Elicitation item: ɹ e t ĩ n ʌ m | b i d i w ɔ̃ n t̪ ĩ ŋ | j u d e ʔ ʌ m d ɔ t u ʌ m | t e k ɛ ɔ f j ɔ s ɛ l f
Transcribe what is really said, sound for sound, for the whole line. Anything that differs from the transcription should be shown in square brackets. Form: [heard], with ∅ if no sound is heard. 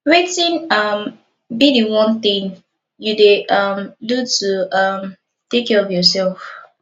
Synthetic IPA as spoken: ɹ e t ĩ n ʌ m | b i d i w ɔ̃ n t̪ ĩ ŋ | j u d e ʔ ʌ m d [u] t u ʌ m | t e k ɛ ɔ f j ɔ s ɛ l f

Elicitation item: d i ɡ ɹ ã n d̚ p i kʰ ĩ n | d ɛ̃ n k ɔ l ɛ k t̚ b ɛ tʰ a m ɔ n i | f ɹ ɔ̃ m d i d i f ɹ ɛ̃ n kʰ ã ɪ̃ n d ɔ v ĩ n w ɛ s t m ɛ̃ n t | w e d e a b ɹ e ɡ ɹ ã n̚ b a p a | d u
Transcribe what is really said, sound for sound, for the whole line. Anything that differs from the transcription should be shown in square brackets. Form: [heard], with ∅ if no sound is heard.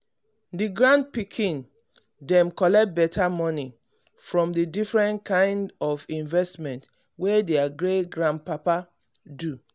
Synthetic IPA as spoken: d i ɡ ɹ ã n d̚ p i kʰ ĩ n | d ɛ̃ [m] k ɔ l ɛ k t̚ b ɛ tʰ a m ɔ n i | f ɹ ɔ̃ m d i d i f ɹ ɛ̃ n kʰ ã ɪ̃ n d ɔ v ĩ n [v] ɛ s t m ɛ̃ n t | w e d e a [ɡ] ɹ e ɡ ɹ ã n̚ [p] a p a | d u

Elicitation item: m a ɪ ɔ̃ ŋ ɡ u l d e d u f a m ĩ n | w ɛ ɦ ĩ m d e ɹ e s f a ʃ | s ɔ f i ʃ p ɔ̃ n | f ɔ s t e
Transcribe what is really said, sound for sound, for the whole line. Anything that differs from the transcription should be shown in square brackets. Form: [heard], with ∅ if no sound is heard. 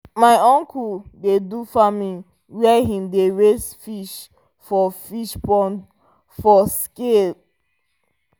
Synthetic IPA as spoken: m a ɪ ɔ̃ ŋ [k] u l d e d u f a m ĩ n | w ɛ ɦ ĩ m d e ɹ e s f [i] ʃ | [f] ɔ f i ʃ p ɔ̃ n | f ɔ s [k] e

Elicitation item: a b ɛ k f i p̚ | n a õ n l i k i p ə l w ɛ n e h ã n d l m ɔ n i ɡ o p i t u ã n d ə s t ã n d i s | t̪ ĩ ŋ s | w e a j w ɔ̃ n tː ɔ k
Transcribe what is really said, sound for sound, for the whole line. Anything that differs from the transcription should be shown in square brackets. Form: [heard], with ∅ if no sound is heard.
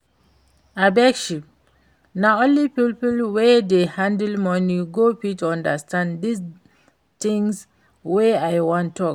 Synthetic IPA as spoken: a b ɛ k [ʃ] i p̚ | n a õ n l i [p] i p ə l w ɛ [d] e h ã n d l m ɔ n i ɡ o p i t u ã n d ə s t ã n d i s | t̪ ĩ ŋ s | w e a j w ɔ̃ n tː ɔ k

